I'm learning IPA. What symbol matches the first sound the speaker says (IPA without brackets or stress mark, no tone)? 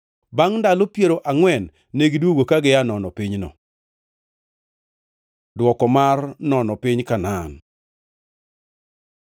b